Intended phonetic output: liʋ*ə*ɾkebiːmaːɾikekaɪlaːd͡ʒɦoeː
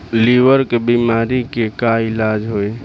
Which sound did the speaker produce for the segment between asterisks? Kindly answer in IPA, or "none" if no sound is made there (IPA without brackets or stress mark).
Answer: ə